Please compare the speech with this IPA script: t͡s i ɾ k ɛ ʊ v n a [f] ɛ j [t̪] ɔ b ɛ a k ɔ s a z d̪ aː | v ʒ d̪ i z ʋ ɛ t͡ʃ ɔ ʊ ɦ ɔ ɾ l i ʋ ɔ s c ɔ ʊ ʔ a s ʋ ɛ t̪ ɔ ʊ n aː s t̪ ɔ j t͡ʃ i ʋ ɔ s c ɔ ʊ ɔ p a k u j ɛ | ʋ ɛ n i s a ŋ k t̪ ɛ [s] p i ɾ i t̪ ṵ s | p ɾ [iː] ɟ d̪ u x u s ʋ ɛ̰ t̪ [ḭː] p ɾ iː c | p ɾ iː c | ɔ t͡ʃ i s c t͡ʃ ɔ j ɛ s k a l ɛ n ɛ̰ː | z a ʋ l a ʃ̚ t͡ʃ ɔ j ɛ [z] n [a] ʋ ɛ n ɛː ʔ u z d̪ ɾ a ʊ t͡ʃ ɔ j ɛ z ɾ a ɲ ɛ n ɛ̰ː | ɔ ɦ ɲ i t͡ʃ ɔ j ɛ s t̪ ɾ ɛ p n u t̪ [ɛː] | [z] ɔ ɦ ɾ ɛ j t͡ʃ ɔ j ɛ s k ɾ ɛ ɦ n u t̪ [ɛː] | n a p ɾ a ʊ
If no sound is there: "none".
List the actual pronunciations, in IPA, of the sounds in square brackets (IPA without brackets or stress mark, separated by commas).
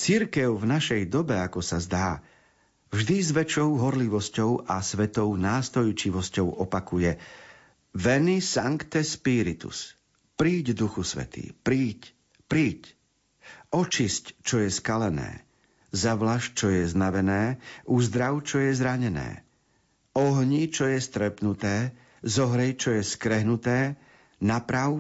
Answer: ʃ, d̪, s, iː, ḭː, z, a, ɛː, z, ɛː